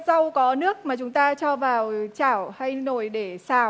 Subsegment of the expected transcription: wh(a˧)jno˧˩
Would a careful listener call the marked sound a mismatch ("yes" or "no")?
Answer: no